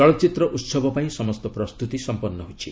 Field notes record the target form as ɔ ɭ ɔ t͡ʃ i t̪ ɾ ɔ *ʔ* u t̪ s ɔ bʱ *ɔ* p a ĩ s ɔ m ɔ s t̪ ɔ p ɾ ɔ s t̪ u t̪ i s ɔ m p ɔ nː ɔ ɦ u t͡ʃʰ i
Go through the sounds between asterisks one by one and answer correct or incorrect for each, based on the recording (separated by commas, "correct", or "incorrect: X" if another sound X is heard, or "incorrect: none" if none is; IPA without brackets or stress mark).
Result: correct, correct